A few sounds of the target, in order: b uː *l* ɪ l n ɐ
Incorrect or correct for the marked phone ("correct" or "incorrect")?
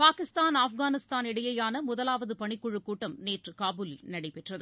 correct